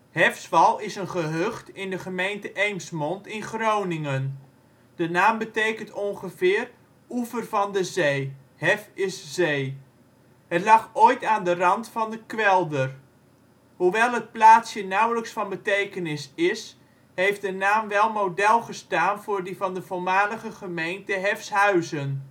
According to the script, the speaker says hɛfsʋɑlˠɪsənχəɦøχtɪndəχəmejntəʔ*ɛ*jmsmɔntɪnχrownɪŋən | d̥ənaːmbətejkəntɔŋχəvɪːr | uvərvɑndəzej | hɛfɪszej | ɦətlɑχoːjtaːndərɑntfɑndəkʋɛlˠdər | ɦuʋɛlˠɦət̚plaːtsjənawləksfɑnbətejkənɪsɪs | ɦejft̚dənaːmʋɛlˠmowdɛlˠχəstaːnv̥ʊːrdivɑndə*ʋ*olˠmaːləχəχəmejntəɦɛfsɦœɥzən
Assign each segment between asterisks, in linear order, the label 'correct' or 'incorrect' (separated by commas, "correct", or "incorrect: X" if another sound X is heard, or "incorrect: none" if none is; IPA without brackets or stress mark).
incorrect: e, incorrect: v